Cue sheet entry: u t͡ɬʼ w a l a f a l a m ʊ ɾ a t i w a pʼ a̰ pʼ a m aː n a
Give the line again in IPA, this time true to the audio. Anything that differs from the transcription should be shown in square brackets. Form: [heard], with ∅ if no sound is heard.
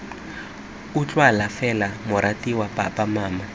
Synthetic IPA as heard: u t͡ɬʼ w a l a f [ɛ] l a m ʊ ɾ a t i w a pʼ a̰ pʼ a m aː [m] a